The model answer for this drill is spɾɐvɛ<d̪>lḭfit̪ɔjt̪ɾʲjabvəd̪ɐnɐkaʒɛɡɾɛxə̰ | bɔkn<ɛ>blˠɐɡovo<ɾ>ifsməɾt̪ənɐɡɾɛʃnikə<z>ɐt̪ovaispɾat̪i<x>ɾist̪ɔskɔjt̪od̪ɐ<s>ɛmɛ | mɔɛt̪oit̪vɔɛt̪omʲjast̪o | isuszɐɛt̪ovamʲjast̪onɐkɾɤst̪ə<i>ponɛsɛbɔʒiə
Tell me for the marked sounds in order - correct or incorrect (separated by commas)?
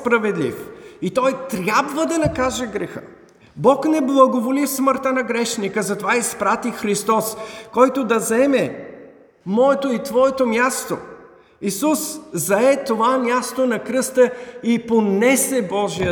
correct, correct, incorrect, correct, correct, incorrect, correct